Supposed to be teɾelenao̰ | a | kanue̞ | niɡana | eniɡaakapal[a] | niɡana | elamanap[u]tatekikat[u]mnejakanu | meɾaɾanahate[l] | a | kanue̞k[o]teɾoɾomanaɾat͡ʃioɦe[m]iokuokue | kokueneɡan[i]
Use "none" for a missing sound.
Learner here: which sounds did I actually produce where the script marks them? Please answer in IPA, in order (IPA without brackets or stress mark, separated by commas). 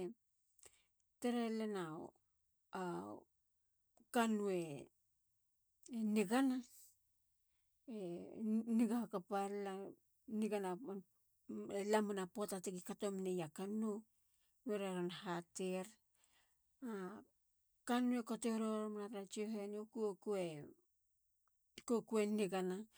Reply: a, o, o, ɾ, o, n, a